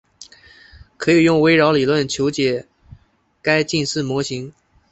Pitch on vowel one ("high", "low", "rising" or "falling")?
rising